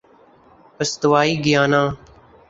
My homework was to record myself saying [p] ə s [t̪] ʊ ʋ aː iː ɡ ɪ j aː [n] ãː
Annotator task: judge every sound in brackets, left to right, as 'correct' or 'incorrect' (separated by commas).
correct, correct, correct